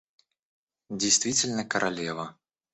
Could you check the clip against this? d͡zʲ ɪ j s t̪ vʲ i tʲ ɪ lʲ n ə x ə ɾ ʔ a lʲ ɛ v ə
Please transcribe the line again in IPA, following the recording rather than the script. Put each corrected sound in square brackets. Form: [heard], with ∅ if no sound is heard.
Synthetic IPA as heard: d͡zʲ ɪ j s t̪ vʲ i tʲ ɪ lʲ n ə [k] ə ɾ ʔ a lʲ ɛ v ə

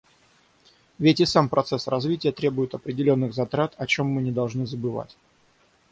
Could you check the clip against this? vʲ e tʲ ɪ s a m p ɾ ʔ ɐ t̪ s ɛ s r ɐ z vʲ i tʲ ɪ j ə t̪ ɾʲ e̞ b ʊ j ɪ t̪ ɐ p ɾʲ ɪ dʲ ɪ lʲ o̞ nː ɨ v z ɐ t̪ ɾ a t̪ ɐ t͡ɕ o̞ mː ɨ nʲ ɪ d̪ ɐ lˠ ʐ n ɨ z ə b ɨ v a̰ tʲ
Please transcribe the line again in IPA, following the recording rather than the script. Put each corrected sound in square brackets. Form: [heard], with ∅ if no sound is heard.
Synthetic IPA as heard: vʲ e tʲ ɪ s a m p ɾ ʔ ɐ t̪ s ɛ s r ɐ z vʲ i tʲ ɪ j ə t̪ ɾʲ e̞ b ʊ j ɪ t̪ ɐ p ɾʲ ɪ dʲ ɪ lʲ o̞ nː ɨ [ɣ] z ɐ t̪ ɾ a t̪ ɐ t͡ɕ o̞ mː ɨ nʲ ɪ d̪ ɐ lˠ ʐ n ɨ z ə b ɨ v a̰ tʲ

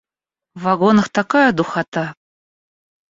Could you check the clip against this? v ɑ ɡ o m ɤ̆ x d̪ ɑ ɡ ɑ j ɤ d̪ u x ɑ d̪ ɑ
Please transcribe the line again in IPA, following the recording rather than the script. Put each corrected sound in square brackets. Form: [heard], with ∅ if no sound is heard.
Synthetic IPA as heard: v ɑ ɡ o [n] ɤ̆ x [t̪] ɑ [k] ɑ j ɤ d̪ u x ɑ [t̪] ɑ

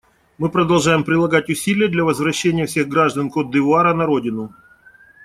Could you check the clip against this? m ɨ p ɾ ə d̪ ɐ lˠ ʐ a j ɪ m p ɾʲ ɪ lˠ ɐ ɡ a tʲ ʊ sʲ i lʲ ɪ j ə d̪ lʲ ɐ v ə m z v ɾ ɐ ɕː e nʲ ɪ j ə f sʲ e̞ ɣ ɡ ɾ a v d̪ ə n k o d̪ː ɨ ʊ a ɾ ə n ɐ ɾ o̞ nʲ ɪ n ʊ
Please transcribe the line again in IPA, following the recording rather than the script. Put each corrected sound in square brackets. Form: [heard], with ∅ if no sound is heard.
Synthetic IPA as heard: m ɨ p ɾ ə d̪ ɐ lˠ ʐ a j ɪ m p ɾʲ ɪ lˠ ɐ ɡ a tʲ ʊ sʲ i lʲ ɪ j ə d̪ lʲ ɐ v ə [∅] z v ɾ ɐ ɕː e nʲ ɪ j ə f sʲ e̞ ɣ ɡ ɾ a [ʐ] d̪ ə n k o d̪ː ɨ ʊ a ɾ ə n ɐ ɾ o̞ [dʲ] ɪ n ʊ

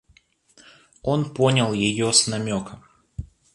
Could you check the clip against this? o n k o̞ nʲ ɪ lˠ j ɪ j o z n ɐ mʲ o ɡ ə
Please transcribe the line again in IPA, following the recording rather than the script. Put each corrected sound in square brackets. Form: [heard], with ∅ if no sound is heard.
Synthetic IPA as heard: o n [p] o̞ nʲ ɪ lˠ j ɪ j o [s] n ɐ mʲ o [k] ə

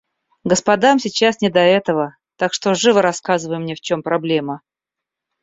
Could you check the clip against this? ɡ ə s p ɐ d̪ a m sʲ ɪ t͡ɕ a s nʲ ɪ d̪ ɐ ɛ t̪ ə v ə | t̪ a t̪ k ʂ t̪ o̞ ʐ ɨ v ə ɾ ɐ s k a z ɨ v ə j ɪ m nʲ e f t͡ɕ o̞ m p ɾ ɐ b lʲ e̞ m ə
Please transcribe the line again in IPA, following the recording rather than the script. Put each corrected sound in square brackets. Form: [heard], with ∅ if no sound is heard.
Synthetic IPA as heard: ɡ ə s p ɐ d̪ a m sʲ ɪ t͡ɕ a s nʲ ɪ d̪ ɐ ɛ t̪ ə v ə | t̪ a [∅] k ʂ t̪ o̞ ʐ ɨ v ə ɾ ɐ s k a z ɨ v ə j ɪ m nʲ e f t͡ɕ o̞ m p ɾ ɐ b lʲ e̞ m ə

